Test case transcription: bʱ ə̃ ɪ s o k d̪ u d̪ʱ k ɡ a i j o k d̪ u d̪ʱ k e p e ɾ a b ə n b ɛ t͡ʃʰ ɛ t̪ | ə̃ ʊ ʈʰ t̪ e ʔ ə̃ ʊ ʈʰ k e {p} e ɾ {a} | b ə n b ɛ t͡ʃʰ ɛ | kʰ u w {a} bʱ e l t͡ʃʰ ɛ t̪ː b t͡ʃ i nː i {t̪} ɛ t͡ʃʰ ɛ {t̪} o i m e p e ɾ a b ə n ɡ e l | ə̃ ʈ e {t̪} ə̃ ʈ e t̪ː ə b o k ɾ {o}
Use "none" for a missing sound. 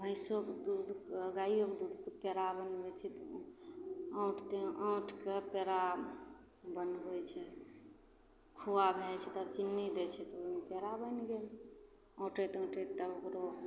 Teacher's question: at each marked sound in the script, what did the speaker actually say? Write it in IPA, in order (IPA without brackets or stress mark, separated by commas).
p, a, a, d̪, t̪, t̪, o